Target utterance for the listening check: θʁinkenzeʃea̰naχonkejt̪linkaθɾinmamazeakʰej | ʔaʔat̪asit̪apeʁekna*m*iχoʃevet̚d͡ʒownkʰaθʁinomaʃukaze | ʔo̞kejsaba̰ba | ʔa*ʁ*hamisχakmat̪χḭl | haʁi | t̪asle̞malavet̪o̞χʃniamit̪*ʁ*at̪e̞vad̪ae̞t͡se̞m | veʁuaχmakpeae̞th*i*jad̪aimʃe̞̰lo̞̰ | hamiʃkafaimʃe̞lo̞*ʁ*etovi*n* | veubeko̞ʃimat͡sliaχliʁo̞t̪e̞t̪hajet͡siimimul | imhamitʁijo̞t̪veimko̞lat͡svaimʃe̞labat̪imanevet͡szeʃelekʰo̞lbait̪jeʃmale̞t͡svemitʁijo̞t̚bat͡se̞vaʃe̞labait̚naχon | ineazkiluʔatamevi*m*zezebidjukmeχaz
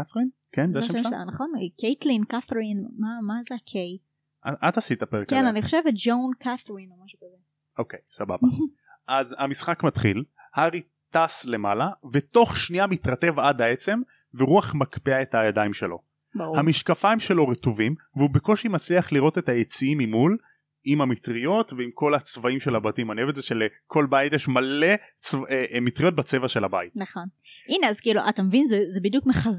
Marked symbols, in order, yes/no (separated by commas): no, no, yes, no, yes, no, no